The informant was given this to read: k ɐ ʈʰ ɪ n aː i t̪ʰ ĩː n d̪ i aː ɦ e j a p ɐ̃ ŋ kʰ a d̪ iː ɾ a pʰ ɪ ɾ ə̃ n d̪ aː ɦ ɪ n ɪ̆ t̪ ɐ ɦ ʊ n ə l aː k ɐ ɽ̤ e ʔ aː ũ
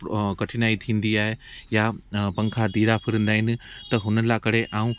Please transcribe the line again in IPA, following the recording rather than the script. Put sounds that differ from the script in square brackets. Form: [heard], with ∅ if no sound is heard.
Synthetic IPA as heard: k ɐ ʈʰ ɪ n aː i t̪ʰ ĩː n d̪ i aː ɦ e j a p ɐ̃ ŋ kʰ a d̪ iː ɾ a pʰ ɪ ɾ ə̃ n d̪ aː ɦ ɪ n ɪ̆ t̪ ɐ ɦ ʊ n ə l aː k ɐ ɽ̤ e ʔ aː ũ